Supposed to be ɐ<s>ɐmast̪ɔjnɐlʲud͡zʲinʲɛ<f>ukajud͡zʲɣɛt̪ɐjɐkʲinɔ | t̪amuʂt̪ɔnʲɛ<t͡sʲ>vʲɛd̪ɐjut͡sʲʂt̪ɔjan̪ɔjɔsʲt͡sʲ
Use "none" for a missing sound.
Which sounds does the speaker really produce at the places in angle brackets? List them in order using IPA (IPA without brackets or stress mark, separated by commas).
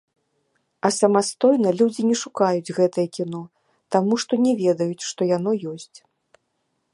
s, ʂ, none